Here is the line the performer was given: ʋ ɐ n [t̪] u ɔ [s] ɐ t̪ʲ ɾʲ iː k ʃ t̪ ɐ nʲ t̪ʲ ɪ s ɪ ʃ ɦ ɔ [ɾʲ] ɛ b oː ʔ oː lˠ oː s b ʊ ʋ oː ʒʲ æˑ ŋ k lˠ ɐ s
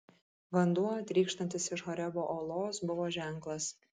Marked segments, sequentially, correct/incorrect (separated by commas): incorrect, incorrect, correct